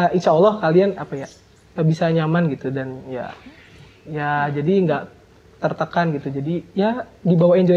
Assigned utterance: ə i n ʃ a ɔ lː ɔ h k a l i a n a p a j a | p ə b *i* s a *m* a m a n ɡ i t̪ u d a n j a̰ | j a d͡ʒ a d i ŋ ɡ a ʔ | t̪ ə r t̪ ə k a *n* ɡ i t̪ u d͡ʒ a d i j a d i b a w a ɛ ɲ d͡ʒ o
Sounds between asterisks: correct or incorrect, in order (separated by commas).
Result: correct, incorrect, correct